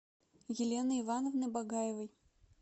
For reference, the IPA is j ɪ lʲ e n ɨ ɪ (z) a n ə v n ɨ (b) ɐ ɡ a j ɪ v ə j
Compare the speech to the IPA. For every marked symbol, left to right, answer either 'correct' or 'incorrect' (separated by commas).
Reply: incorrect, correct